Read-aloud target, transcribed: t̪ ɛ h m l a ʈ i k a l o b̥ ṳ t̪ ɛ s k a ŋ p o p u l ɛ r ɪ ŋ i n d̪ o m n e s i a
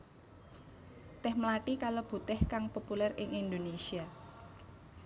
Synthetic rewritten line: t̪ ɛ h m l a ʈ i k a l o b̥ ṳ t̪ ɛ h k a ŋ p o p u l ɛ r ɪ ŋ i n d̪ o n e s i a